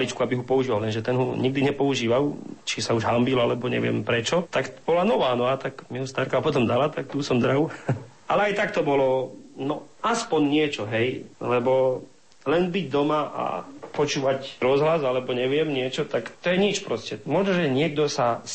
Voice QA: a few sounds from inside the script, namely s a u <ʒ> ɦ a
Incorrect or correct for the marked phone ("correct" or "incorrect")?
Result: correct